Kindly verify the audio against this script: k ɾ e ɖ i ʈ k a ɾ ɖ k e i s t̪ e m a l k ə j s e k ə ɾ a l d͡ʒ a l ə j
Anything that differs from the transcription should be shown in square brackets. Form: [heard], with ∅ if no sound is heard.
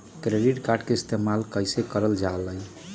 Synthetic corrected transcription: k ɾ e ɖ i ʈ k a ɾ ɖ k e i s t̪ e m a l k ə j s e k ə ɾ [ə] l d͡ʒ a l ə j